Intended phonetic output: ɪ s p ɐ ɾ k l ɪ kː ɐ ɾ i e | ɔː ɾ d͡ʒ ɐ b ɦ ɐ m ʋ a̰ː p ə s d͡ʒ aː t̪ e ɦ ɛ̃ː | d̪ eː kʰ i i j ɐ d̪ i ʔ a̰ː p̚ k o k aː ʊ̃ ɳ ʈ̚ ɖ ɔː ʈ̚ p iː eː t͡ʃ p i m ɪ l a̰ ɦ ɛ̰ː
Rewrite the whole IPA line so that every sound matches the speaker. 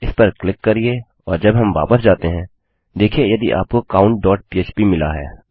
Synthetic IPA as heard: ɪ s p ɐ ɾ k l ɪ kː ɐ ɾ i e | ɔː ɾ d͡ʒ ɐ b ɦ ɐ m ʋ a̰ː p ə s d͡ʒ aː t̪ e ɦ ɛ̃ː | d̪ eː kʰ i e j ɐ d̪ i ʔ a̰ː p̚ k o k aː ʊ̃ ɳ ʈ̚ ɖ ɔː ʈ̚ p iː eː t͡ʃ p i m ɪ l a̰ ɦ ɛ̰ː

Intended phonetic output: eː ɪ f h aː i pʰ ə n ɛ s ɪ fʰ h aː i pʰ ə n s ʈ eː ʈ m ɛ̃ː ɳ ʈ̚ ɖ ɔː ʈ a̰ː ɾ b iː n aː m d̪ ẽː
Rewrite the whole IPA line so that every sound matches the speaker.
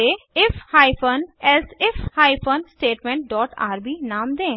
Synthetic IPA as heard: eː ɪ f h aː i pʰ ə n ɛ s ɪ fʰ h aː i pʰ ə n s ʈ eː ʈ m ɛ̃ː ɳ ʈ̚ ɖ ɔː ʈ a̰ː ɾ b iː n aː m d̪ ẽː

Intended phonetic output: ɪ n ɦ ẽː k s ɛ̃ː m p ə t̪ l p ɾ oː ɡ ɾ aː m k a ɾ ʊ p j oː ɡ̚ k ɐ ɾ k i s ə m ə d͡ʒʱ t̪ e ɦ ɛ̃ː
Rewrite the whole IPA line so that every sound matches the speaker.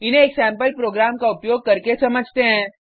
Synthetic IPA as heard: ɪ n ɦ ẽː k s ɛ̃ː m p ə l p ɾ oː ɡ ɾ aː m k a ʊ p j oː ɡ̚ k ɐ ɾ k e s ɐ m ə d͡ʒʱ t̪ e ɦ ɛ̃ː

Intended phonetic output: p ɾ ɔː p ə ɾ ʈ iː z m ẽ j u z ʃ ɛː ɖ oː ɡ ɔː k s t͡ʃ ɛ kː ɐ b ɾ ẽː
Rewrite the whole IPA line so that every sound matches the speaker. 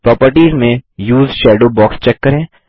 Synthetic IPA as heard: p ɾ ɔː p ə ɾ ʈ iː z m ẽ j uː z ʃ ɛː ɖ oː b ɔː k s t͡ʃ ɛ kː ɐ ɾ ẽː

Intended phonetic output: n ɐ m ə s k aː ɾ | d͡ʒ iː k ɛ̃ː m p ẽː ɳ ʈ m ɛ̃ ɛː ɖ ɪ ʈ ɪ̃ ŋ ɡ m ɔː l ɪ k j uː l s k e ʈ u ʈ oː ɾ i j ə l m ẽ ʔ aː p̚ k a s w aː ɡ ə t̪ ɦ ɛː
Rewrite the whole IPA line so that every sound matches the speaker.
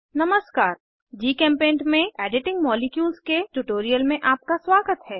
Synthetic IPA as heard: n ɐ m ə s k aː ɾ | d͡ʒ iː k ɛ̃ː m p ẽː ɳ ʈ m ẽ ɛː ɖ ɪ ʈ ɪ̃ ŋ ɡ m ɔː l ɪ k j uː l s k e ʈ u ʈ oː ɾ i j ə l m ẽ ʔ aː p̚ k a s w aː ɡ ə t̪ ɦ ɛː

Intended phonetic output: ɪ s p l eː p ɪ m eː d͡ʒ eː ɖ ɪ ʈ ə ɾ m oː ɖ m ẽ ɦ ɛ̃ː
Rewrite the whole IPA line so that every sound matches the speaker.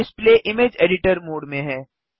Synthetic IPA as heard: ɪ s p l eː ʔ ɪ m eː d͡ʒ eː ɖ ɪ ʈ ə ɾ m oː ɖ m ẽ ɦ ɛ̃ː

